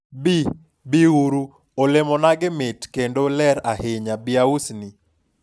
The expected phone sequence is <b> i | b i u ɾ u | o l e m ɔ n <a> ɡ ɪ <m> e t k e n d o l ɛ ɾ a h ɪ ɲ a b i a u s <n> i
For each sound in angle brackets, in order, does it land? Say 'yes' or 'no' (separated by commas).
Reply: yes, yes, yes, yes